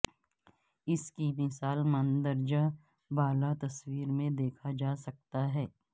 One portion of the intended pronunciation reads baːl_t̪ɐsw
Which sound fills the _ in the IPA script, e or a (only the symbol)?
a